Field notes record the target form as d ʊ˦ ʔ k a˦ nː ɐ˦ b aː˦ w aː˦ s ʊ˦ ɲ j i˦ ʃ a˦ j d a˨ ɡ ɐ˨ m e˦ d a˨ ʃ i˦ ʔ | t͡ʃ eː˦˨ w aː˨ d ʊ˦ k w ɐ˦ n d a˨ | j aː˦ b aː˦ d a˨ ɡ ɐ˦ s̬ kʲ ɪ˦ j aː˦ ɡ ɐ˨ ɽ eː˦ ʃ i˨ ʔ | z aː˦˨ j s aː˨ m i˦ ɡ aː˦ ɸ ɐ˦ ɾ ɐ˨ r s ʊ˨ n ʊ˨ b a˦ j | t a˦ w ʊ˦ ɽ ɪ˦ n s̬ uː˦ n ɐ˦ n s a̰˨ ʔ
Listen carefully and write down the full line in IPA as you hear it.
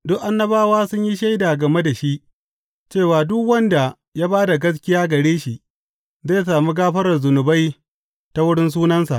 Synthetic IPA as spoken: d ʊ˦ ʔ ʔ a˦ nː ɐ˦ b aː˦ w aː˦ s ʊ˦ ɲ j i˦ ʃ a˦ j d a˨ ɡ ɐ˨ m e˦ d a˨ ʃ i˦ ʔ | t͡ʃ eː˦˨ w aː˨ d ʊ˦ k w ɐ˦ n d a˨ | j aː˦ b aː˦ d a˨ ɡ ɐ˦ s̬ kʲ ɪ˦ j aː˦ ɡ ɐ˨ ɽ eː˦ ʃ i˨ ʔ | z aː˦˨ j s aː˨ m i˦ ɡ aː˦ ɸ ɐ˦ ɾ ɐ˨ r z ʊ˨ n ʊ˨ b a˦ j | t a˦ w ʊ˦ ɽ ɪ˦ n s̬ uː˦ n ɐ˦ n s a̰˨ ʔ